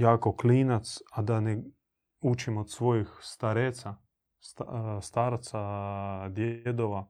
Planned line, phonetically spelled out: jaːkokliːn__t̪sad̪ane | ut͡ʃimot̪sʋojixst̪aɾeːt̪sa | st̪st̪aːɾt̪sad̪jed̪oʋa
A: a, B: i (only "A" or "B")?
A